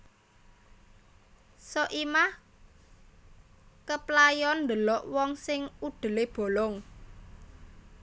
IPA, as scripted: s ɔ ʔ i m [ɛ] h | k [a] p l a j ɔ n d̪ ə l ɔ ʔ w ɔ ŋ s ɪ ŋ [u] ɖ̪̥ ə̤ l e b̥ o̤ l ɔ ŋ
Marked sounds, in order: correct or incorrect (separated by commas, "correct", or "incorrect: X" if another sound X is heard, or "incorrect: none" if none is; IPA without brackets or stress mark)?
incorrect: a, incorrect: ə, correct